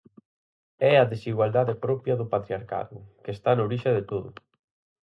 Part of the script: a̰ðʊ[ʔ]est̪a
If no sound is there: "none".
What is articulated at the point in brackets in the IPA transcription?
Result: k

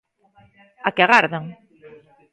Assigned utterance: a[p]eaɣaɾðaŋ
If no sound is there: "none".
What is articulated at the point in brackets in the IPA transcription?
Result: k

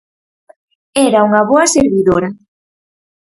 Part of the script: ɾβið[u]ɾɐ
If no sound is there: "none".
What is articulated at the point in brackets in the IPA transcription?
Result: o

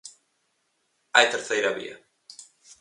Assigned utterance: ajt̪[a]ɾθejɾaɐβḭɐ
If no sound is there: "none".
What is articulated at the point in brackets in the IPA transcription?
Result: e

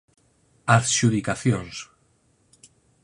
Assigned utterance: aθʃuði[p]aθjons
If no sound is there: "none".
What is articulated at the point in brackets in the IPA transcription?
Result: k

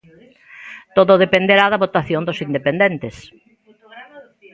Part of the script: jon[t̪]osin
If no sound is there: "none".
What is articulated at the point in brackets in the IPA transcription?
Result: d̪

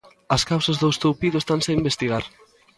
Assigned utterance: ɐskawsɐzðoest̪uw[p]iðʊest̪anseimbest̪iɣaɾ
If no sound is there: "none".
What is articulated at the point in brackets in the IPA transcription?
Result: p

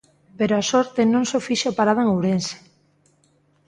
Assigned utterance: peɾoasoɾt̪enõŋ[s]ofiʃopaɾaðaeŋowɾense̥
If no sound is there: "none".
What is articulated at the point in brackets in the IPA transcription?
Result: s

